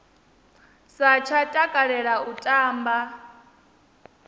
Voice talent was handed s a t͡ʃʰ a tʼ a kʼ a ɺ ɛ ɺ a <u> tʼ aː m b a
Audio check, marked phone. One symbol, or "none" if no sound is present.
u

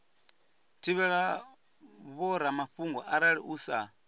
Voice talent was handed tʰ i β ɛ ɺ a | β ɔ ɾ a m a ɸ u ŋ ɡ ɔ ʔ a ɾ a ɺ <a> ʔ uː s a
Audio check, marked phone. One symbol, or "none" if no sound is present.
i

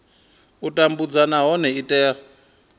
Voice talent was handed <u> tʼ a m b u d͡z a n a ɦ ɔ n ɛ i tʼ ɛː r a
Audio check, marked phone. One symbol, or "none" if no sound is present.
u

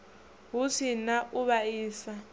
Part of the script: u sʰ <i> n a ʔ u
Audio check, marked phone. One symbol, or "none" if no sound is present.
i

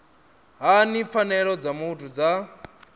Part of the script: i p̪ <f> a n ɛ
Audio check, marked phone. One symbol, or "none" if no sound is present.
f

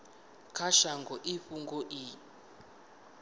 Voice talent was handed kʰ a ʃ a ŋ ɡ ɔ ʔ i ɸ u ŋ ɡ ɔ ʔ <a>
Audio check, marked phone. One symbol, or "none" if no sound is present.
i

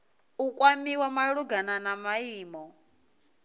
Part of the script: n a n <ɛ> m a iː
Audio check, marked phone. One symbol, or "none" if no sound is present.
a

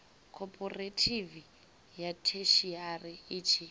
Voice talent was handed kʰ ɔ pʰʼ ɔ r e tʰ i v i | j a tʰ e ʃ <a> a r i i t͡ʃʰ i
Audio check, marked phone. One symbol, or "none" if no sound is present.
i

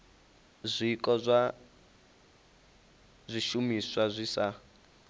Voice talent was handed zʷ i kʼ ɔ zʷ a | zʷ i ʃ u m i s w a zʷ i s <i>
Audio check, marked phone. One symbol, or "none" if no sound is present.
a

